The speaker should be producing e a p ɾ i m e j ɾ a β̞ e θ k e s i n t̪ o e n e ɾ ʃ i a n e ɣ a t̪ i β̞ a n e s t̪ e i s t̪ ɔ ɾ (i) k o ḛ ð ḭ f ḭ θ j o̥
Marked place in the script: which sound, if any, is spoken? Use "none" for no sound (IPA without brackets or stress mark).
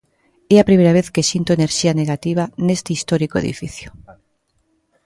i